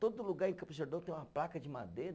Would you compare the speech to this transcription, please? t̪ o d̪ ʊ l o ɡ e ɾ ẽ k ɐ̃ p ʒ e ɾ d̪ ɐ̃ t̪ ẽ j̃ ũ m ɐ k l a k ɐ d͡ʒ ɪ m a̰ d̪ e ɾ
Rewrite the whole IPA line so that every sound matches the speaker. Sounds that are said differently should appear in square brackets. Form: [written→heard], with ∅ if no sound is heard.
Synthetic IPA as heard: t̪ o d̪ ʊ l [o→u] ɡ [e→a] ɾ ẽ k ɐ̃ p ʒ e ɾ d̪ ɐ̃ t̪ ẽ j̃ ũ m ɐ [k→p] l a k ɐ d͡ʒ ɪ m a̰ d̪ e ɾ

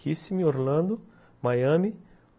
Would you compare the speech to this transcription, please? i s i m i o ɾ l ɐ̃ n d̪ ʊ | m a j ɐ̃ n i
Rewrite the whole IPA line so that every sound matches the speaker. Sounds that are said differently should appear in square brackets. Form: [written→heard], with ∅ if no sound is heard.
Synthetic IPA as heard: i s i m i o ɾ l ɐ̃ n d̪ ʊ | m a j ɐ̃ [n→m] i

